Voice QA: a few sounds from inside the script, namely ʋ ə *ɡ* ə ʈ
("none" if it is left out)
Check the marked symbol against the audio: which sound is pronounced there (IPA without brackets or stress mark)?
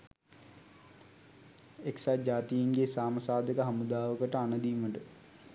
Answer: k